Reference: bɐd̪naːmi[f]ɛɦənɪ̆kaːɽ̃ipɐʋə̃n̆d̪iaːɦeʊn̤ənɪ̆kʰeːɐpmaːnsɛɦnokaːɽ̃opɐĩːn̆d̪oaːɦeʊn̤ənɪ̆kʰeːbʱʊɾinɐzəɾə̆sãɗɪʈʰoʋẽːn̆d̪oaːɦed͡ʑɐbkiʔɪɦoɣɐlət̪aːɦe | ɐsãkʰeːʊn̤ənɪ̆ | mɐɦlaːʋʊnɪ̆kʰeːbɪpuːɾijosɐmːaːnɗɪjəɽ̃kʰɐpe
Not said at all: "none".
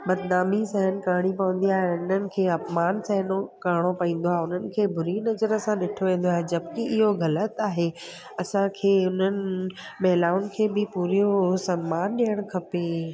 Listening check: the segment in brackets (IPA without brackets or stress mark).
s